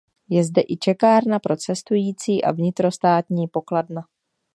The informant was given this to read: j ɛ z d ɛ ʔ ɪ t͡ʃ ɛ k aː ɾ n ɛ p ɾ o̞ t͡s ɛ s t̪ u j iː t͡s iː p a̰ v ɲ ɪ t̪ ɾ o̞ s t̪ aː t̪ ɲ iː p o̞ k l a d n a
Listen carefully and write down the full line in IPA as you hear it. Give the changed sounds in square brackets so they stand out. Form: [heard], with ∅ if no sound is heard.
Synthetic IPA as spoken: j ɛ z d ɛ ʔ ɪ t͡ʃ ɛ k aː ɾ n [a] p ɾ o̞ t͡s ɛ s t̪ u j iː t͡s iː [ʔ] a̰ v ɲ ɪ t̪ ɾ o̞ s t̪ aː t̪ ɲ iː p o̞ k l a d n a